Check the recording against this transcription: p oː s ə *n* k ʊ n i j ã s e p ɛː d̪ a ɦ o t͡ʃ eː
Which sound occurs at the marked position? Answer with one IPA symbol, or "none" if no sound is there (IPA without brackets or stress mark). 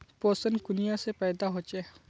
n